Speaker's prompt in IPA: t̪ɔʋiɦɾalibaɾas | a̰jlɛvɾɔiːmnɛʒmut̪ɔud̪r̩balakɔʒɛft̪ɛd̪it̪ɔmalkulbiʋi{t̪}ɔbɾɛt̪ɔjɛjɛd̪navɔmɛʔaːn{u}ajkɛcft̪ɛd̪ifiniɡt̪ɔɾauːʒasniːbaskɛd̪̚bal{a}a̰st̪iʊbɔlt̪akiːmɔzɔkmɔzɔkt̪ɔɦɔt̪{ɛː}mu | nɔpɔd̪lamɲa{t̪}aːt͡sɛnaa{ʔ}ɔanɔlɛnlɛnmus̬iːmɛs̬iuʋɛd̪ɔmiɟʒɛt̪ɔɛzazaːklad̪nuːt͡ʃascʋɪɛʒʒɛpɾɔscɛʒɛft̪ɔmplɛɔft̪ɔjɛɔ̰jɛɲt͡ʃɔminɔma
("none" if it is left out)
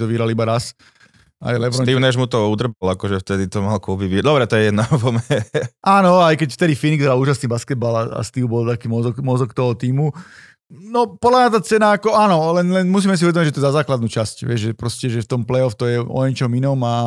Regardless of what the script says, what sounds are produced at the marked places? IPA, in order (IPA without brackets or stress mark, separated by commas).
d̪, ɔ, a, iː, t̪, k